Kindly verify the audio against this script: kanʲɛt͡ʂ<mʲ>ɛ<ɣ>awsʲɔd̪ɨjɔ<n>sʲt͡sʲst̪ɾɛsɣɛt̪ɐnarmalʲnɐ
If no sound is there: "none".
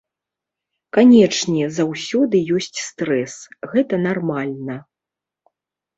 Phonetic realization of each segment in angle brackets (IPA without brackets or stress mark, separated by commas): nʲ, z, none